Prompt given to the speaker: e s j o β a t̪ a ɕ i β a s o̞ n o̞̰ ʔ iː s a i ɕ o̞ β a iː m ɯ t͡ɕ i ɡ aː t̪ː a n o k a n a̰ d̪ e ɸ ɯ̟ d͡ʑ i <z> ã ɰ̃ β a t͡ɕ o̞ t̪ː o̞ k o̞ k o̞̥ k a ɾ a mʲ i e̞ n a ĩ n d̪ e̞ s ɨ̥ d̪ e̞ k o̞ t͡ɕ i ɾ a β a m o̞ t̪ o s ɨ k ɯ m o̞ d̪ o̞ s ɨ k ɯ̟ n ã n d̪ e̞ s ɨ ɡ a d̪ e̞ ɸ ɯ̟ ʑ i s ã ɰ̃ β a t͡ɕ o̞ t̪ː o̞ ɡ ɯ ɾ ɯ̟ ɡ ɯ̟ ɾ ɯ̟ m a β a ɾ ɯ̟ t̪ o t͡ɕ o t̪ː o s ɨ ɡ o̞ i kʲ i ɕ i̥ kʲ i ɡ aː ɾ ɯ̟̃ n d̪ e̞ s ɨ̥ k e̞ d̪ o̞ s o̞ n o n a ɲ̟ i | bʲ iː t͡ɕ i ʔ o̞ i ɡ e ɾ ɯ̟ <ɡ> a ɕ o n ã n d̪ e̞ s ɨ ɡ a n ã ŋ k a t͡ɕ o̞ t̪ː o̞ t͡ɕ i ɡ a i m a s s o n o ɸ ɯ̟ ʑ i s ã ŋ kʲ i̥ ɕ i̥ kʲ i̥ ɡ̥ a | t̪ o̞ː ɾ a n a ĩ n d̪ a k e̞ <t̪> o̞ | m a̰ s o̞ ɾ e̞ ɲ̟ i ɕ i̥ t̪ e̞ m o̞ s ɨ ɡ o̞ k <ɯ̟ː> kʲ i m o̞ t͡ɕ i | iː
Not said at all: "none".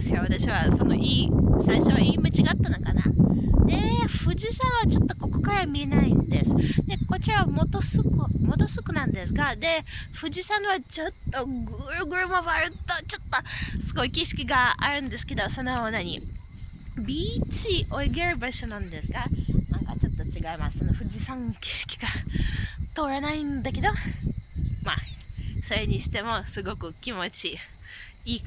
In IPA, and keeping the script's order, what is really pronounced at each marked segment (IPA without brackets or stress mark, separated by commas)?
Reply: s, b, d̪, ɯ̟